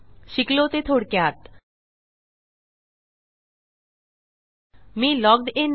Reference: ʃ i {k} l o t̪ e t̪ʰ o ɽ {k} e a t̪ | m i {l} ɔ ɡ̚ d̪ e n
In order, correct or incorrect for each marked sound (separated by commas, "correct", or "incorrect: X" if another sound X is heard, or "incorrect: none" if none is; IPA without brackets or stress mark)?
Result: correct, correct, correct